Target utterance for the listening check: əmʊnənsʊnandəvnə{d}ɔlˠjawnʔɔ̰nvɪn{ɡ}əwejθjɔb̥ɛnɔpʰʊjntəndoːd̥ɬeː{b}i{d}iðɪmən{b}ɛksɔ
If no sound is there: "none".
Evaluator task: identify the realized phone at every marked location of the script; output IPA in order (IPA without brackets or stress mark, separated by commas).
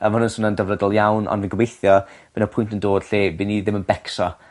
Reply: d, ɡ, b, n, b